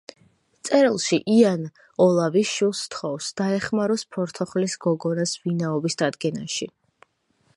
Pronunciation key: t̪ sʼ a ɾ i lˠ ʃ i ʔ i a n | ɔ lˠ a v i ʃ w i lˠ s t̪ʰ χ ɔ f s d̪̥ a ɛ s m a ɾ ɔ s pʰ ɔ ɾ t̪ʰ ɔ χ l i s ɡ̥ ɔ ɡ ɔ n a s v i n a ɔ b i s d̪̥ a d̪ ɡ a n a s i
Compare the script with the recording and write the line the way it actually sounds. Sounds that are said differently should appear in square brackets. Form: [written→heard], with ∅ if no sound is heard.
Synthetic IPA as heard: t̪ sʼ [a→ɛ] ɾ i lˠ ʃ i ʔ i a n | ɔ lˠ a v i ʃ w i lˠ s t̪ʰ χ ɔ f s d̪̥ a ɛ [s→χ] m a ɾ ɔ s pʰ ɔ ɾ t̪ʰ ɔ χ l i s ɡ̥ ɔ ɡ ɔ n a s v i n a ɔ b i s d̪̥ a d̪ ɡ [a→ɛ] n a [s→ʃ] i